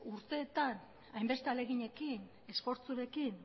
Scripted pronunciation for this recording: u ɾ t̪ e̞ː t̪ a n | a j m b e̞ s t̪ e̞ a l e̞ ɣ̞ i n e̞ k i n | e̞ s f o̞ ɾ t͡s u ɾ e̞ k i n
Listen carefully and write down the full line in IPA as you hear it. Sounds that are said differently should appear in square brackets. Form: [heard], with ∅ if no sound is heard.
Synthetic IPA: u ɾ t̪ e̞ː t̪ a n | a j m b e̞ s t̪ e̞ a l e̞ ɣ̞ i [ɲ] e̞ k i n | e̞ s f o̞ ɾ t͡s u ɾ e̞ k i n